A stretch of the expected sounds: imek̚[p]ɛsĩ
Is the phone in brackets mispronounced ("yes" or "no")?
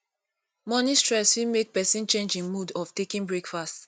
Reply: no